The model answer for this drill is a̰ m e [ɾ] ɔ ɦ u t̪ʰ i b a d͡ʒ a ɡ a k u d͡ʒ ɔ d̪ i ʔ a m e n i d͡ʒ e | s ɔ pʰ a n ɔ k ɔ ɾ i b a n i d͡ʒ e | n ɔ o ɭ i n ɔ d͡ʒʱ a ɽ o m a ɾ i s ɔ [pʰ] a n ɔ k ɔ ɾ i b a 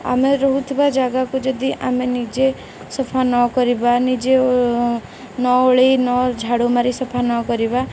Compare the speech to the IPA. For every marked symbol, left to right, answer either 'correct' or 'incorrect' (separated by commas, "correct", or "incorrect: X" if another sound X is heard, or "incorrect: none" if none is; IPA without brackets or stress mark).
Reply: correct, correct